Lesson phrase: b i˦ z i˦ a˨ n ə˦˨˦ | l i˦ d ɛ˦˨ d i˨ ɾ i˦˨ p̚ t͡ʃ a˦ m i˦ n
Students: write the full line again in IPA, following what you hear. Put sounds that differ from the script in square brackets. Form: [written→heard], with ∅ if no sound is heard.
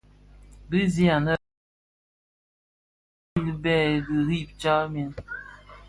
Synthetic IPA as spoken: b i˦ z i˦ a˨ n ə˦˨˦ | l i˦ [d→b] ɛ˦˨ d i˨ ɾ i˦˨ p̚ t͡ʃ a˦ m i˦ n